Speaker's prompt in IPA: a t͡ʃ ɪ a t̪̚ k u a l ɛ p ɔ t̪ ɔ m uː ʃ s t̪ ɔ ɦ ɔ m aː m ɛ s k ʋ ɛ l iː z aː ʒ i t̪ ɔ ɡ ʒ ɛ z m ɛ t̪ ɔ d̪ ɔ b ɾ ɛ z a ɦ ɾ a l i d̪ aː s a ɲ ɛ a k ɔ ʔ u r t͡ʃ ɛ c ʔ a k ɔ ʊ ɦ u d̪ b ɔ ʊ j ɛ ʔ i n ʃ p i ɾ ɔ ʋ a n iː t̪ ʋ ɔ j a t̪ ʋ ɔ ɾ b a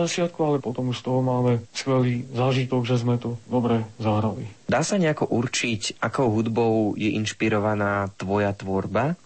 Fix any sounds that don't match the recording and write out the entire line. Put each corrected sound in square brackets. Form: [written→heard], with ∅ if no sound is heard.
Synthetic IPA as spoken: a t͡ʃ ɪ a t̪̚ k u a l ɛ p ɔ t̪ ɔ m [uː→u] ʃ s t̪ ɔ ɦ ɔ m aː m ɛ s k ʋ ɛ l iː z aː ʒ i t̪ ɔ ɡ ʒ ɛ z m ɛ t̪ ɔ d̪ ɔ b ɾ ɛ z a ɦ ɾ a l i d̪ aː s a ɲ ɛ a k ɔ ʔ u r t͡ʃ [ɛ→i] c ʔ a k ɔ ʊ ɦ u d̪ b ɔ ʊ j ɛ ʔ i n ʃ p i ɾ ɔ ʋ a n [iː→aː] t̪ ʋ ɔ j a t̪ ʋ ɔ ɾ b a